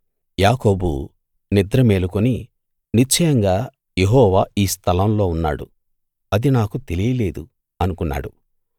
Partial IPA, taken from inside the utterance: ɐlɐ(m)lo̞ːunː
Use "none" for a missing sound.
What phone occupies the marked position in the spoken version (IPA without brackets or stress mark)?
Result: m